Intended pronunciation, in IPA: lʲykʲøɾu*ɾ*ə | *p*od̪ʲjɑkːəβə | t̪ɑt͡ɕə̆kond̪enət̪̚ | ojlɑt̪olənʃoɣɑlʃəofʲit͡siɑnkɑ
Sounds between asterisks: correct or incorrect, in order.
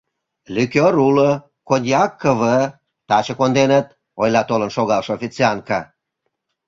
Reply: incorrect: l, incorrect: k

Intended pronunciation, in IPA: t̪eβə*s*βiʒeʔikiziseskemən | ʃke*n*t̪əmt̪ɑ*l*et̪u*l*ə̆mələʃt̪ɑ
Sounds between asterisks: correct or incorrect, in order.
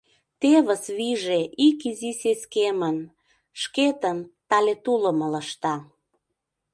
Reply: correct, incorrect: none, correct, correct

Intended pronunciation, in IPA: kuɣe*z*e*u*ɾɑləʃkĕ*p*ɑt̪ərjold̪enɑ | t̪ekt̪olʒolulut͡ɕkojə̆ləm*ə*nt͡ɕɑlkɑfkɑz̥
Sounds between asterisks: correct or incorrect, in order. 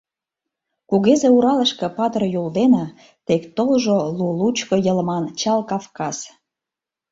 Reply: correct, correct, correct, incorrect: ɑ

